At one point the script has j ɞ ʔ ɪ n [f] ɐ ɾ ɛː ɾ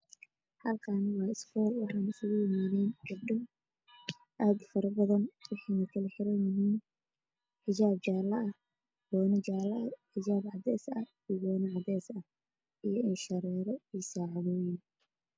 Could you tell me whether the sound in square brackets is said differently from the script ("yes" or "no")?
yes